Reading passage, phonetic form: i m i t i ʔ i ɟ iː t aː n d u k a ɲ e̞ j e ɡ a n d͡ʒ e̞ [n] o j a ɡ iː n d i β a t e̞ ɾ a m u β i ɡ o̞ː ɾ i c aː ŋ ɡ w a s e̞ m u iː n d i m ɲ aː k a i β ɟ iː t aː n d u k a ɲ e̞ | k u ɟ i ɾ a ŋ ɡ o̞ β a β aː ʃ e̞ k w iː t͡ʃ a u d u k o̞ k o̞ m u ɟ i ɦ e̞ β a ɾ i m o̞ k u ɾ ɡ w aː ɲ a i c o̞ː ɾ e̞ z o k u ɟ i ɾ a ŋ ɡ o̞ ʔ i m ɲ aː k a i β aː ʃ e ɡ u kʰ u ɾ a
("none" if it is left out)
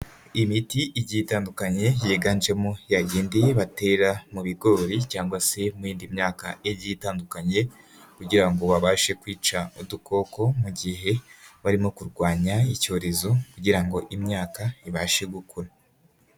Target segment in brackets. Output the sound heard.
m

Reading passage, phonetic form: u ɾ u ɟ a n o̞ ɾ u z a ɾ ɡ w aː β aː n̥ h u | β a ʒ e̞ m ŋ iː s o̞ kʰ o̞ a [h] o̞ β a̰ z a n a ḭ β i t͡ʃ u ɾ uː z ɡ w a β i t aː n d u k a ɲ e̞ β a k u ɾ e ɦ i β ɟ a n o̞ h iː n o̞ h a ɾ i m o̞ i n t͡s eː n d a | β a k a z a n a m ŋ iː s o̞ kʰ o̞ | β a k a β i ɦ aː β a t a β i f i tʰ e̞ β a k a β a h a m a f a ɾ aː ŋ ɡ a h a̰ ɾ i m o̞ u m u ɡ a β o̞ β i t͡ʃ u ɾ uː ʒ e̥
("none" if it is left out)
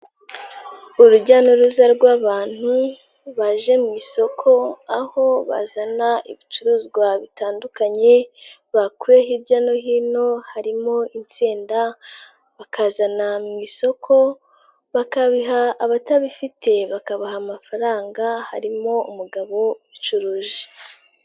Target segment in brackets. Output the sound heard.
h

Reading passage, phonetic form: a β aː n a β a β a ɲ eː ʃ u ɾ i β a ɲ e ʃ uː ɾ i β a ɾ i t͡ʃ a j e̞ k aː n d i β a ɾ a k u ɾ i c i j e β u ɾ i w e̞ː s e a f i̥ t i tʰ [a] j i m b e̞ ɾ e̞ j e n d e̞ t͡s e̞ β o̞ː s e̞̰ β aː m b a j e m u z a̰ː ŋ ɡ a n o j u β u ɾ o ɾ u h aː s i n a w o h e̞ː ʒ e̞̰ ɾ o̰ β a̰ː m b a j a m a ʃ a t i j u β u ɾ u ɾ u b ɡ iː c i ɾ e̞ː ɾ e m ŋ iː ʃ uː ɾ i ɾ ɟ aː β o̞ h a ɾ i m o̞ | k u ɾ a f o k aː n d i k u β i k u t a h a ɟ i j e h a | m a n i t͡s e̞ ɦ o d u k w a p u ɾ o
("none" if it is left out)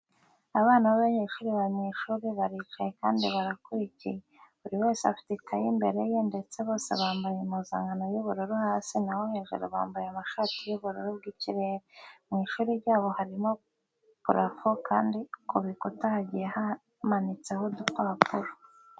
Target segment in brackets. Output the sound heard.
a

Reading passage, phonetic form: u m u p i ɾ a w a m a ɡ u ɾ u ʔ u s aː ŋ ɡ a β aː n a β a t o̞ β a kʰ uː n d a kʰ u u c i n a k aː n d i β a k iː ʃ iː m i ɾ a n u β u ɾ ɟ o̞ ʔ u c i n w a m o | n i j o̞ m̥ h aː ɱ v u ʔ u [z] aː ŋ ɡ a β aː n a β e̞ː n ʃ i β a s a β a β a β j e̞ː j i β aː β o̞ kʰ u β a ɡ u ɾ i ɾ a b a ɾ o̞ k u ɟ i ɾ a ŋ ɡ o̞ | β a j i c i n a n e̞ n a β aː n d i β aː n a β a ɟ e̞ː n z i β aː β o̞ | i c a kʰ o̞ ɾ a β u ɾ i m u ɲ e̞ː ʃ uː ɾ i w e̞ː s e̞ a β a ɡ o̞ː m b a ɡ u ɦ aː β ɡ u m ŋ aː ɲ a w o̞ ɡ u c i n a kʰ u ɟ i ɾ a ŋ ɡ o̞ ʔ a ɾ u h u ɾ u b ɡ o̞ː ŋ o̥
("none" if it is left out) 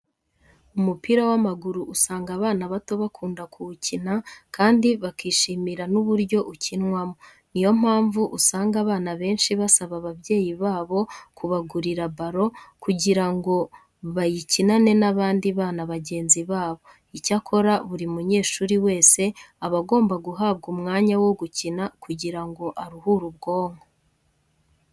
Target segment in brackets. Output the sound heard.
s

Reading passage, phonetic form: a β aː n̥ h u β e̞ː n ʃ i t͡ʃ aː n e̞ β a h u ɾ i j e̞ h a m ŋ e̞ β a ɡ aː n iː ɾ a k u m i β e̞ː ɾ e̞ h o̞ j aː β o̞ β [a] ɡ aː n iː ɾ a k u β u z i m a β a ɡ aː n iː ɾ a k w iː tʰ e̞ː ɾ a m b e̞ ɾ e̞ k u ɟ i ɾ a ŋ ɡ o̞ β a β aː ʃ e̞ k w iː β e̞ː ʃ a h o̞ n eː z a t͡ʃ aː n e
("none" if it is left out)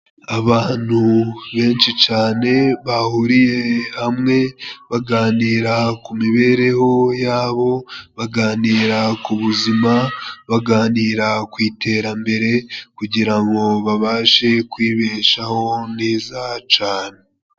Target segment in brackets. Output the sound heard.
a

